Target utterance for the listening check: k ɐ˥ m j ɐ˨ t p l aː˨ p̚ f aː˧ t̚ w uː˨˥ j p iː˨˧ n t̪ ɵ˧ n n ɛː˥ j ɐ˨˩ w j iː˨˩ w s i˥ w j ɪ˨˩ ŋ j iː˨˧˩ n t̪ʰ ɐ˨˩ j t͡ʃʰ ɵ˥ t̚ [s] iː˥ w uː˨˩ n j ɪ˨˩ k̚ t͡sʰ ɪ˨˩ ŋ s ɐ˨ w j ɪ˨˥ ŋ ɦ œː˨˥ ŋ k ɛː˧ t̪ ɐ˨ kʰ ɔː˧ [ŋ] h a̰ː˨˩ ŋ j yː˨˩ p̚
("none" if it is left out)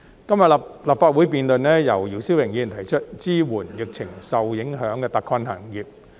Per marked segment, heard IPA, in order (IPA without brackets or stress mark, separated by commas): t͡s, n